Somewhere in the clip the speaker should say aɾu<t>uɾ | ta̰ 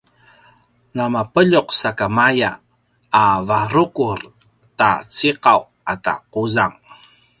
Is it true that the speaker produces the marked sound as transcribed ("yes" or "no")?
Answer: no